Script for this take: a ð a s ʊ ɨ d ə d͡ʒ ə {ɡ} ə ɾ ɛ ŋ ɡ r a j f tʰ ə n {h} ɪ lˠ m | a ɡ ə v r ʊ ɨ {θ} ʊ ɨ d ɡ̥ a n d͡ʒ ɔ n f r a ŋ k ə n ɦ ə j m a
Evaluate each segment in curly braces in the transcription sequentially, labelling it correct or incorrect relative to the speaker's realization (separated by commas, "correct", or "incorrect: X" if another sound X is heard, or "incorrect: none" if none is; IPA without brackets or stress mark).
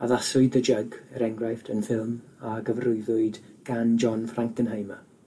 correct, incorrect: f, incorrect: ð